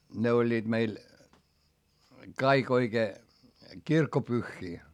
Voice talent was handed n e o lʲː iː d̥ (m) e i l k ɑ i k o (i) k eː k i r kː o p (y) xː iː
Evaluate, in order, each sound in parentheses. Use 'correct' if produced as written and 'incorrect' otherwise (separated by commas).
correct, correct, correct